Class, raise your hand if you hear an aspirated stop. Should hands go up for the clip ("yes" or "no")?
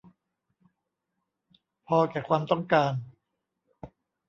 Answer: yes